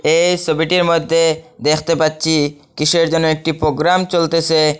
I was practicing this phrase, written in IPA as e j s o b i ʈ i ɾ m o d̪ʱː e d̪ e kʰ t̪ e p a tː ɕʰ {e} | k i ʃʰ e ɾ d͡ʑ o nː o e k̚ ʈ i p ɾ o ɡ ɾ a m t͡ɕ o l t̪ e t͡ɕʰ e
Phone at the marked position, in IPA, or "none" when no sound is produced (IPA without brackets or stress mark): i